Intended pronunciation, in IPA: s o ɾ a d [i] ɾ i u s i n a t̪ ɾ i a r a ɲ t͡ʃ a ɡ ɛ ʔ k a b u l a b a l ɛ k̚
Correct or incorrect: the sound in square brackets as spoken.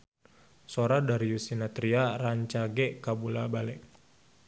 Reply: incorrect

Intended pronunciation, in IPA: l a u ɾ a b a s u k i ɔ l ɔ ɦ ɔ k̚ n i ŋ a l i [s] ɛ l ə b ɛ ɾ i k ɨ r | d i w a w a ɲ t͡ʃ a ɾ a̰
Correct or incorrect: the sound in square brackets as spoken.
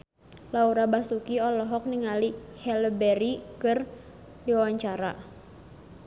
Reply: incorrect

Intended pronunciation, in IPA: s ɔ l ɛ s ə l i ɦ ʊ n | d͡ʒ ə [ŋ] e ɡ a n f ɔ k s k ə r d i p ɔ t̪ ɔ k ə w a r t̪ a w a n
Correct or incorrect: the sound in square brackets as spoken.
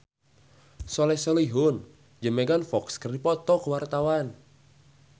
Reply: incorrect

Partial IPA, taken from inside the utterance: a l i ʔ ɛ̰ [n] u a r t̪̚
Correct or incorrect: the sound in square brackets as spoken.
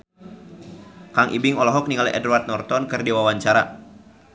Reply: incorrect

